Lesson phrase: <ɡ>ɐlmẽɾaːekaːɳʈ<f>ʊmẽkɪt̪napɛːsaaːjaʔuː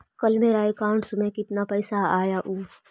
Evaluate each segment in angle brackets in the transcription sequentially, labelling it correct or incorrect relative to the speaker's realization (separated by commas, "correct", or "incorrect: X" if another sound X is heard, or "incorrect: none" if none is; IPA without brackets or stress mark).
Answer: incorrect: k, incorrect: s